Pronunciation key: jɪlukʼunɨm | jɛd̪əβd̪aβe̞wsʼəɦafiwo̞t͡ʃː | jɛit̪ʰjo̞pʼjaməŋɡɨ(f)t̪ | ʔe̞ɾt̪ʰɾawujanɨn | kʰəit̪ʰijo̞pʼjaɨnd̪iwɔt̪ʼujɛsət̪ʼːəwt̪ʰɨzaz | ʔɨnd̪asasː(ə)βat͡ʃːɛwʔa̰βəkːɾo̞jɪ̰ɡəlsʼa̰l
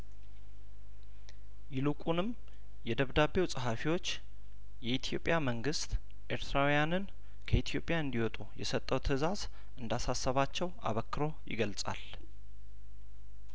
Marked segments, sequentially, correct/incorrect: incorrect: s, correct

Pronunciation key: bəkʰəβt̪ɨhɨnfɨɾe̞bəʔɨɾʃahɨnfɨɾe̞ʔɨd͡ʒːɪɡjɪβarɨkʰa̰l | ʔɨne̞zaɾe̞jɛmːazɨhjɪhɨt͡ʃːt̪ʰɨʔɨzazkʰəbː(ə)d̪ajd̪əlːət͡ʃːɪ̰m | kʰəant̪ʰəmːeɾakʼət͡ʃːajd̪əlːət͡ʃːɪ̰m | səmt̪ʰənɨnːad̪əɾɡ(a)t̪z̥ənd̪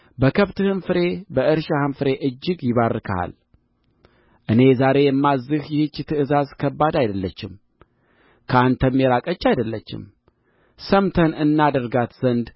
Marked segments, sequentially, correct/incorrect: incorrect: a, correct

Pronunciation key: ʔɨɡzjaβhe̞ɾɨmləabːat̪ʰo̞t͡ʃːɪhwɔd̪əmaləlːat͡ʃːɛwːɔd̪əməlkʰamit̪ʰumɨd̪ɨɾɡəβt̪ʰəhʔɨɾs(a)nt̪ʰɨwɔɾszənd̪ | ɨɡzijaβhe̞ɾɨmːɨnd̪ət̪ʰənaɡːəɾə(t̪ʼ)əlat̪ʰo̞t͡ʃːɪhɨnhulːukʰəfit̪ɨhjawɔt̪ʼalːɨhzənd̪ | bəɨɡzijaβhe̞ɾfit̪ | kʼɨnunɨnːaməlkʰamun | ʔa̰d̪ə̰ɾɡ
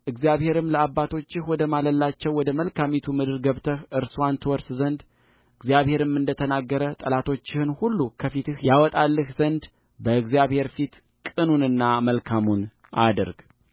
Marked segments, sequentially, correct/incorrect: correct, correct

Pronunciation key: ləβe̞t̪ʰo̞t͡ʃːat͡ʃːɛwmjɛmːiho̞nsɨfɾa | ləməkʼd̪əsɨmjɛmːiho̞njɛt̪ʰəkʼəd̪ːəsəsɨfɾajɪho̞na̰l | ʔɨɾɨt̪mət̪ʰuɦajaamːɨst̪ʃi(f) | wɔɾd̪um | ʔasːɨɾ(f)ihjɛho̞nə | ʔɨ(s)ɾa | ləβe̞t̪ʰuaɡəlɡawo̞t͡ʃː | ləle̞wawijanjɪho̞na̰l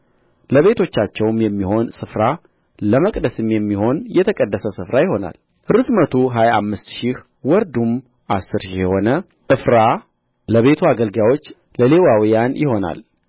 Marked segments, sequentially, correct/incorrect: incorrect: h, incorrect: ʃ, incorrect: f

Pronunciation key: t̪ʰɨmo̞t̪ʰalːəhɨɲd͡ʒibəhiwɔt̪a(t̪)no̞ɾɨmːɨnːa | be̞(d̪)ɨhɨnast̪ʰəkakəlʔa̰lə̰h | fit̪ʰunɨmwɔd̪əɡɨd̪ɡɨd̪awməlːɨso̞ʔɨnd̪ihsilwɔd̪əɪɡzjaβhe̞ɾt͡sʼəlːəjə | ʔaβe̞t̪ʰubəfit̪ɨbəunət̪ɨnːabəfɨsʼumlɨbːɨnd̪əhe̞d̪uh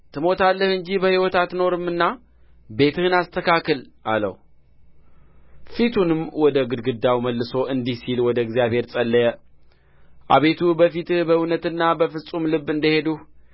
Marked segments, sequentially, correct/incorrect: correct, incorrect: t̪

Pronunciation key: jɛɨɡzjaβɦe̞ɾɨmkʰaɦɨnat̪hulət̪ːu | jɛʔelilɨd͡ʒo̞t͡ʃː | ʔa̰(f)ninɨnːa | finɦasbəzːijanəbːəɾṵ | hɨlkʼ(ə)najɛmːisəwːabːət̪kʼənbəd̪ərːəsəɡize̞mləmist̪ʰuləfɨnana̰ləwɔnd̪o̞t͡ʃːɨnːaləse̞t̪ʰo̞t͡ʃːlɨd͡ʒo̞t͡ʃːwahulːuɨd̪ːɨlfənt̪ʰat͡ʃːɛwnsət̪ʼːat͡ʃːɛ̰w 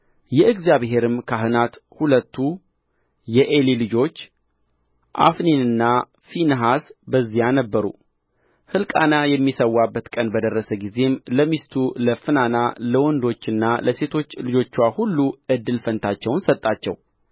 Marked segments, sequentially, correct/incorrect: correct, incorrect: a

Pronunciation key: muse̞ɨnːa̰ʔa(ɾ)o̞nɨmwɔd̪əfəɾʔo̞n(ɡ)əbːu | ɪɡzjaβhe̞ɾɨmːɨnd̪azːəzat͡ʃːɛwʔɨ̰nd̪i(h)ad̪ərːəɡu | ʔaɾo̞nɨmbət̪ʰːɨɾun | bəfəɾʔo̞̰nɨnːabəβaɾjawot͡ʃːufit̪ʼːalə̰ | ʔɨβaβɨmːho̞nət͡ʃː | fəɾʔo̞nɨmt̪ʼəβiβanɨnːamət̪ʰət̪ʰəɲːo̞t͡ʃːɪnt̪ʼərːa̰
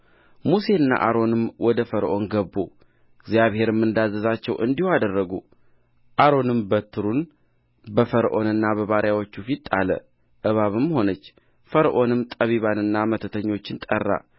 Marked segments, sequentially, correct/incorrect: correct, correct, correct

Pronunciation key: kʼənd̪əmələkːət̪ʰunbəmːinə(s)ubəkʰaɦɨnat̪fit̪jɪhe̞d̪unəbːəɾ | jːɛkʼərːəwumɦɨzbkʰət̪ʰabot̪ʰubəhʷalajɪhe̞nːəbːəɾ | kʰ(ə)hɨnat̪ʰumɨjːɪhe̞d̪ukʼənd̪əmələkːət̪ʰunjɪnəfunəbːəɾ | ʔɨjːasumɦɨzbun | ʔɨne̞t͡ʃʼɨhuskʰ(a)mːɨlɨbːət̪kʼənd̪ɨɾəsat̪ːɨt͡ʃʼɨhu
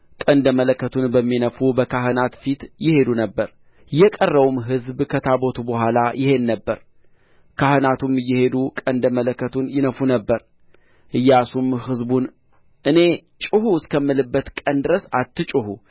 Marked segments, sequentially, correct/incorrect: incorrect: f, incorrect: a, incorrect: ə

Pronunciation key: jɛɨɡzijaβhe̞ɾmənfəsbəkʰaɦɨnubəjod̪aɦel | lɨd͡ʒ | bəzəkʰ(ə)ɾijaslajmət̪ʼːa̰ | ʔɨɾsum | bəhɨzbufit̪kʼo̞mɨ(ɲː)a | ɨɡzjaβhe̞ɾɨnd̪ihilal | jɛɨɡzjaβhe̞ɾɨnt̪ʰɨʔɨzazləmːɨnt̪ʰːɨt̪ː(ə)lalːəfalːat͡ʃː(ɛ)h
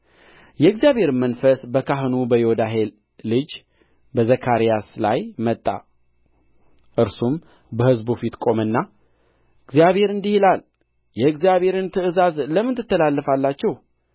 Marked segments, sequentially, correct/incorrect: incorrect: a, incorrect: nː, correct, correct

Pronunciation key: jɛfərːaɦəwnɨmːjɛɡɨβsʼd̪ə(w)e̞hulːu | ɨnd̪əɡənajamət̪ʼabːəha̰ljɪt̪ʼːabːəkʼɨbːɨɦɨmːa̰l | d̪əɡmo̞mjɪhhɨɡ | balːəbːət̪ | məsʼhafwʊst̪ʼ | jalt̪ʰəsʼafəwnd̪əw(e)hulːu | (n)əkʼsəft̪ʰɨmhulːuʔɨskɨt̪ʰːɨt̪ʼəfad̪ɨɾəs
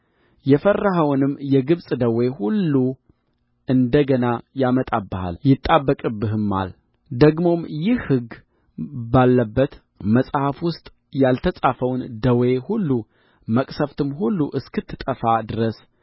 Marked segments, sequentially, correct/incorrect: correct, correct, incorrect: m

